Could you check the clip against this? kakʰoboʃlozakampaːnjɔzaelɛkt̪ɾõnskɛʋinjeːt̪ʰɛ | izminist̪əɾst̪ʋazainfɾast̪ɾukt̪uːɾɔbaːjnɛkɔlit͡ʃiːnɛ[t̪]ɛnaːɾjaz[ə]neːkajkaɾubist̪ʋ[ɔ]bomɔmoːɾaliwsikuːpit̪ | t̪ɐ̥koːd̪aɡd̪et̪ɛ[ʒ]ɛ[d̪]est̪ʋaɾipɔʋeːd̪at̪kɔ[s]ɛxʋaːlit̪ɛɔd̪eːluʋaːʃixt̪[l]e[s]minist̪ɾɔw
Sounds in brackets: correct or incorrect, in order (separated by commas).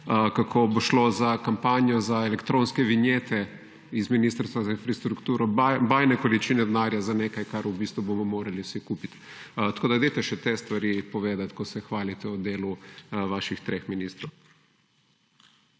incorrect, incorrect, incorrect, incorrect, incorrect, correct, incorrect, incorrect